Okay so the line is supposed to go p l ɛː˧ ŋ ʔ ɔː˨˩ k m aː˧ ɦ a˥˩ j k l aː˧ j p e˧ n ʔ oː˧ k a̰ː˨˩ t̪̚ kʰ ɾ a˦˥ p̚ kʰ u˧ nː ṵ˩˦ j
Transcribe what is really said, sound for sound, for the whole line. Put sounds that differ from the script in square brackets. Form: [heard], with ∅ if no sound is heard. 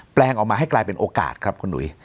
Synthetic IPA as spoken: p l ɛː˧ ŋ ʔ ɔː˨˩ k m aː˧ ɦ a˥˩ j k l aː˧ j p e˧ n ʔ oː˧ k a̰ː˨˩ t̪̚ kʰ ɾ a˦˥ p̚ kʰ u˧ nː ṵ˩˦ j